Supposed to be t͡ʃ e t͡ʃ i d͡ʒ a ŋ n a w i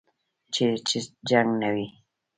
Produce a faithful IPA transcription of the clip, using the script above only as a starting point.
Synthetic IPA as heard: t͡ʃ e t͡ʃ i d͡ʒ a ŋ n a w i